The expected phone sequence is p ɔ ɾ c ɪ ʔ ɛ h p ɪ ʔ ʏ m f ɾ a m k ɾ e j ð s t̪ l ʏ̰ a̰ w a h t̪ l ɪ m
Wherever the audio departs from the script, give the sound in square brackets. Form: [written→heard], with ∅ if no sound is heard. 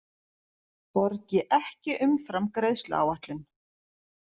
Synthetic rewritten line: p ɔ ɾ c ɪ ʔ ɛ h [p→c] ɪ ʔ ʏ m f ɾ a m k ɾ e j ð s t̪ l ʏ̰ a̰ w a h t̪ l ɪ [m→n]